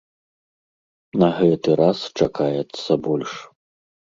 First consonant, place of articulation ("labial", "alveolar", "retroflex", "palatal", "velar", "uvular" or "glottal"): alveolar